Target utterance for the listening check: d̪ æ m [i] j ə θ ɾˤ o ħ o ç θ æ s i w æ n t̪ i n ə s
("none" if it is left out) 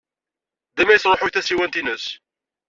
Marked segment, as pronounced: æ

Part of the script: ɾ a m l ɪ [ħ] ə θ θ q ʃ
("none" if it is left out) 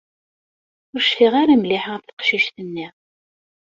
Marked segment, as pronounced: ħ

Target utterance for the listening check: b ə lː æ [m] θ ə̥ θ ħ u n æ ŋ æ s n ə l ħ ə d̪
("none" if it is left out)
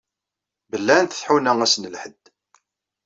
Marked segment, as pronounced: n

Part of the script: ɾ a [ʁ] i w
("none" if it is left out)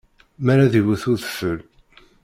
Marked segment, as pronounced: ð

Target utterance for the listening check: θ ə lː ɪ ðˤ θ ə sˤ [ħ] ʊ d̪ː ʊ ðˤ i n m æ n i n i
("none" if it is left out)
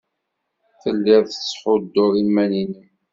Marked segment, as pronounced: ħ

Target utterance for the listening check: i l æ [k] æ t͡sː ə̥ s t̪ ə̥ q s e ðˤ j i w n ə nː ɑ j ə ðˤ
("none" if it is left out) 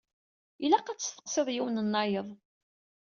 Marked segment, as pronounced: q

